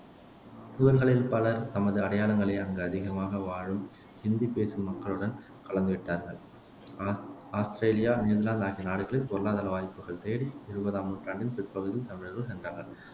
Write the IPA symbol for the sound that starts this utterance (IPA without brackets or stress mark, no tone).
ɪ